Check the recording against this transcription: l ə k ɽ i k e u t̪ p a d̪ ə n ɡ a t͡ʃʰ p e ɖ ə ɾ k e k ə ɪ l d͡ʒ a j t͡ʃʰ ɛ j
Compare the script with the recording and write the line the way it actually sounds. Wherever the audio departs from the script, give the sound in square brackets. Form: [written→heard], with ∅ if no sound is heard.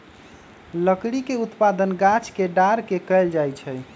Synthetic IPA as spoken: l ə k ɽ i k e u t̪ p a d̪ ə n ɡ a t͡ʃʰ [p→k] e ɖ [ə→a] ɾ k e k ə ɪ l d͡ʒ a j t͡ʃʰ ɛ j